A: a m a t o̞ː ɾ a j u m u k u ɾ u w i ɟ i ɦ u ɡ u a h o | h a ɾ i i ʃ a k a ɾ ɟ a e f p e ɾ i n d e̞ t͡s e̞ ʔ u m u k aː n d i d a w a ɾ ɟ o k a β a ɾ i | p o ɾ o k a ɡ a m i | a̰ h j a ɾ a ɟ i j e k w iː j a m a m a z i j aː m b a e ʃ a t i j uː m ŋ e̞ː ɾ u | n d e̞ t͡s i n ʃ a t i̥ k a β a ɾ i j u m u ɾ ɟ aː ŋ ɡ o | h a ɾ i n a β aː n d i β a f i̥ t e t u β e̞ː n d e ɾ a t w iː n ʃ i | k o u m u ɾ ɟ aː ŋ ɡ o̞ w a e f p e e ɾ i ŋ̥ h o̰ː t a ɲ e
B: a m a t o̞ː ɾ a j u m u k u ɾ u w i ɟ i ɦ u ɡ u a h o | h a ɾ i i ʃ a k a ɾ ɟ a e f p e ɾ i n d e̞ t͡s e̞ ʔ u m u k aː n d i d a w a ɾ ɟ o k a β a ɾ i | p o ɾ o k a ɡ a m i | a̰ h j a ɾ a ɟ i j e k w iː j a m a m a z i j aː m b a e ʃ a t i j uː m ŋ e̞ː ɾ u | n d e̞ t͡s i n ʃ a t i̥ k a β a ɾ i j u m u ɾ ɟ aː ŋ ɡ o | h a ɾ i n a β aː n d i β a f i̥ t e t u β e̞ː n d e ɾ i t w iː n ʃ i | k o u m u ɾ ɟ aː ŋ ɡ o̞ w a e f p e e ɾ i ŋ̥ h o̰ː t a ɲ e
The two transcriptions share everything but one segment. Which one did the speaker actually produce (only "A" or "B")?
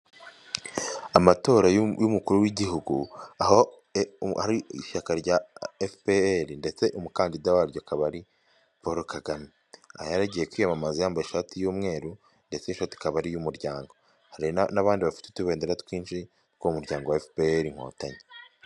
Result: A